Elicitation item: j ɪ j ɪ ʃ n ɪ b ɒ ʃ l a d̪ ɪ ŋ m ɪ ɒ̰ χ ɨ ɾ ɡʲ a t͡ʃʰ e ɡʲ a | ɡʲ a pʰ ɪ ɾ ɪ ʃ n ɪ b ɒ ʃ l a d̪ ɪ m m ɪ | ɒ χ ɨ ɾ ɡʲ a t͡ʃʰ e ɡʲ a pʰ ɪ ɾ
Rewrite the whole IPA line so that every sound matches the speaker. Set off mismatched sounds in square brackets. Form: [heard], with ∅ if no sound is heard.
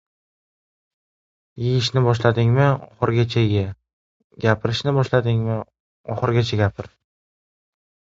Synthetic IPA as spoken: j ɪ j ɪ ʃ n ɪ b ɒ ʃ l a d̪ ɪ ŋ m ɪ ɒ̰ χ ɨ ɾ ɡʲ a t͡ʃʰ [a] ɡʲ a | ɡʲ a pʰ ɪ ɾ ɪ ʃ n ɪ b ɒ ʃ l a d̪ ɪ [ŋ] m ɪ | ɒ χ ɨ ɾ ɡʲ a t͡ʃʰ [a] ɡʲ a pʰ ɪ ɾ